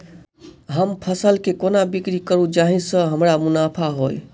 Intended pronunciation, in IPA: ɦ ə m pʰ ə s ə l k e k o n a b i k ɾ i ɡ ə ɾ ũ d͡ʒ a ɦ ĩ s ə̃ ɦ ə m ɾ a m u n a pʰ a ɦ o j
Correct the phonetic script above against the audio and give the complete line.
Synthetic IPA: ɦ ə m pʰ ə s ə l k e k o n a b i k ɾ i k ə ɾ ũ d͡ʒ a ɦ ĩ s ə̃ ɦ ə m ɾ a m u n a pʰ a ɦ o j